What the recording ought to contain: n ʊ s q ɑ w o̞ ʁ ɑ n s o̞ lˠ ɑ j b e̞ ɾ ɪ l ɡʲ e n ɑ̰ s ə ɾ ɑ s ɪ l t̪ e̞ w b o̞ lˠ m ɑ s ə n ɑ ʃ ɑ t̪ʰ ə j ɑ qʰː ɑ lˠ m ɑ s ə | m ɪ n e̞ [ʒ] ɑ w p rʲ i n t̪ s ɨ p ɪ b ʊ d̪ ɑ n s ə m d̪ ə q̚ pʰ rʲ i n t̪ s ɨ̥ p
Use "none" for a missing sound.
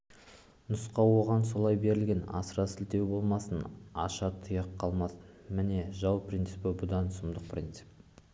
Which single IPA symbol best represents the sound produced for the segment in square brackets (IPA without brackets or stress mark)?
ʒ